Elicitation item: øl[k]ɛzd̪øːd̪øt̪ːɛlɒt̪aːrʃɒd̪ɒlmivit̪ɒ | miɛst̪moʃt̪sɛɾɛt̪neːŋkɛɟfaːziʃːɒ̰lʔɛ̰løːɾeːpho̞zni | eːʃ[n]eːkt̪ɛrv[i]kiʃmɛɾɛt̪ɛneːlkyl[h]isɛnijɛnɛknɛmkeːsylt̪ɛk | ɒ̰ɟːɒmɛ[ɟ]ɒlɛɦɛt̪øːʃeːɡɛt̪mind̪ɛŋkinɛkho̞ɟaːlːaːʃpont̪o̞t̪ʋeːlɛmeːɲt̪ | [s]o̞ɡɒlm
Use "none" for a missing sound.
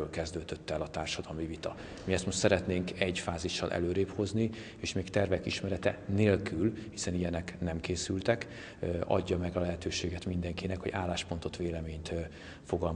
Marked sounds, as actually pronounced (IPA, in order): k, m, ɛ, h, ɡ, f

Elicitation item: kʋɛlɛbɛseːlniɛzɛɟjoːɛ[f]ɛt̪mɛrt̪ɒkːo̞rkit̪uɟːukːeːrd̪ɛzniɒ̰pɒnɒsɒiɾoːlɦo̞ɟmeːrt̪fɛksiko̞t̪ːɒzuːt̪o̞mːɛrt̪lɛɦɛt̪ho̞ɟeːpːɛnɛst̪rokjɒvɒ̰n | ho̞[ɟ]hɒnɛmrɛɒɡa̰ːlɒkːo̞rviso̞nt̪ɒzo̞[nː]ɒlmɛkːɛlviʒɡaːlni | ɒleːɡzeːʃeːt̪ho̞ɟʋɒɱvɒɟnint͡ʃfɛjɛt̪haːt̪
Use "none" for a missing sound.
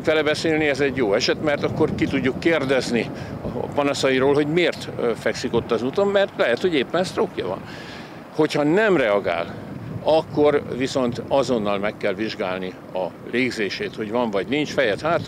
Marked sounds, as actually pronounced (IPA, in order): ʃ, c, nː

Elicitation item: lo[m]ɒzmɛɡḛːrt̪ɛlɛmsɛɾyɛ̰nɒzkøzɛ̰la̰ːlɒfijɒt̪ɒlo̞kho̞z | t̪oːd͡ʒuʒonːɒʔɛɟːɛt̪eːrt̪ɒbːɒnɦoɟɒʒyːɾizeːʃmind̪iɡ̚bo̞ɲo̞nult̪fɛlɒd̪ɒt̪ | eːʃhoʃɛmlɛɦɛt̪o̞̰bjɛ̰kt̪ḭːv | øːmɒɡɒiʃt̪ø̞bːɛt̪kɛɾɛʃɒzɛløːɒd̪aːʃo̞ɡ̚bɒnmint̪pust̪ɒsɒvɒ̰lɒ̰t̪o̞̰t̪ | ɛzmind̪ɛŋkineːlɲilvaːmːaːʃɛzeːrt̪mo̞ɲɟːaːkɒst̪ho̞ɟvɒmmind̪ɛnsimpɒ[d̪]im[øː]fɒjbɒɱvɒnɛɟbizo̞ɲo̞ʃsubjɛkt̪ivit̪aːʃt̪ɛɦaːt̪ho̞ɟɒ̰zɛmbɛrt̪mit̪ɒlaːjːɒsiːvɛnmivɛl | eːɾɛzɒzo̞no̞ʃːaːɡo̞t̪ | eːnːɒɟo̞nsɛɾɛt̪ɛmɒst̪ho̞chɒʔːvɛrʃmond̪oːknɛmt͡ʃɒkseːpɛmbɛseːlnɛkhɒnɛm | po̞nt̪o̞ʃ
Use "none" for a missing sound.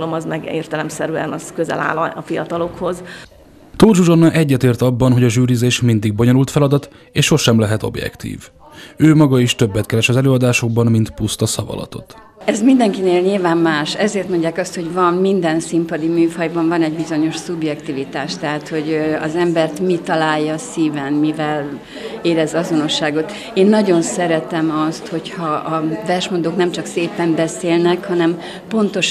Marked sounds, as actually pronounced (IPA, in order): m, d̪, yː

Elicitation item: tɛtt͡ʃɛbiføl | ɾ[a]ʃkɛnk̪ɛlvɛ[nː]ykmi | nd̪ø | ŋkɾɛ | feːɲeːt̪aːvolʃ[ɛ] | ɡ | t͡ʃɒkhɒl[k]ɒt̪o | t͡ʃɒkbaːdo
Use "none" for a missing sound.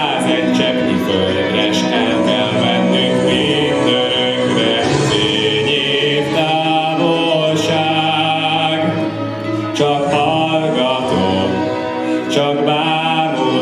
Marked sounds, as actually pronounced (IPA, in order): ɛ, nː, a, ɡ

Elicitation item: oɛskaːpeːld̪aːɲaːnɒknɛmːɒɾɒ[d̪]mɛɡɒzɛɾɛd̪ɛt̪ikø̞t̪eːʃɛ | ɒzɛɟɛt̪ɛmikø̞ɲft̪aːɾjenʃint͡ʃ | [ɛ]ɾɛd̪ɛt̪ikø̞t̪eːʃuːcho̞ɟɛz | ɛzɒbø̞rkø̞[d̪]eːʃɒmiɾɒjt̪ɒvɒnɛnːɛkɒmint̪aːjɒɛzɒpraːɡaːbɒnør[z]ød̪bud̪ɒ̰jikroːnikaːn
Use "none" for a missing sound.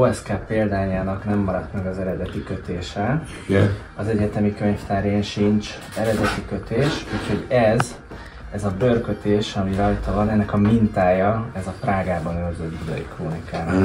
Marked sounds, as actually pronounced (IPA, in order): t̪, ɛ, t̪, z

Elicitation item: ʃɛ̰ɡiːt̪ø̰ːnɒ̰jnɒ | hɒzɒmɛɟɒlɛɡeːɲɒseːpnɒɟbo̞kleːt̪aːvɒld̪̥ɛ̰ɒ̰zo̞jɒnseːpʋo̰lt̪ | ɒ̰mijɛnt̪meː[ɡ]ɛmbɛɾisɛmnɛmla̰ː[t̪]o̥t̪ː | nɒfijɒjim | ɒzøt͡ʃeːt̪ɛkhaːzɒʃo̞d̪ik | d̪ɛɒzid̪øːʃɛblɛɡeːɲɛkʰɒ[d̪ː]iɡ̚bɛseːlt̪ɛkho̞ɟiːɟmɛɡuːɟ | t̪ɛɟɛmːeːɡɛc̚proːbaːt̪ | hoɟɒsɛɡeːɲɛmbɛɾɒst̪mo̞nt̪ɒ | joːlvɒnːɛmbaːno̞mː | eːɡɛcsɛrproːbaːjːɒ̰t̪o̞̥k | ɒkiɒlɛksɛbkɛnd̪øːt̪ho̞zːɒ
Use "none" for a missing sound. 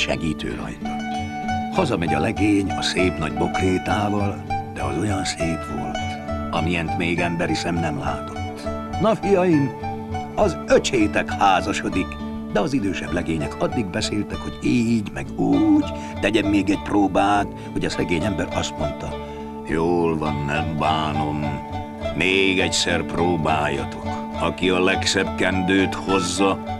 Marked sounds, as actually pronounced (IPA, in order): ɡ, t̪, d̪ː

